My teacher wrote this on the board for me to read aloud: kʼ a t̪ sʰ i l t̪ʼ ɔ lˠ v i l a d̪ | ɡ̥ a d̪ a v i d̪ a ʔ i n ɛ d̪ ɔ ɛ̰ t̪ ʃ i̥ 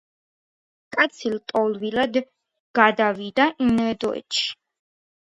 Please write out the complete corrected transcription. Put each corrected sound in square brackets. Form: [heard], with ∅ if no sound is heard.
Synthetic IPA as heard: kʼ a t̪ sʰ i l t̪ʼ ɔ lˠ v i l a d̪ | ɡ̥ a d̪ a v i d̪ a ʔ i n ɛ d̪ ɔ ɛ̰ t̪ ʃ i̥